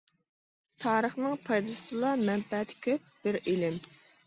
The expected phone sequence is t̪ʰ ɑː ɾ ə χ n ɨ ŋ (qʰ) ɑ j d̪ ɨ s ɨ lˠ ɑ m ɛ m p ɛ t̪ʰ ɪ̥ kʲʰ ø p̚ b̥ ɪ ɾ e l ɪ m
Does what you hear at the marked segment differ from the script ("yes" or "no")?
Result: yes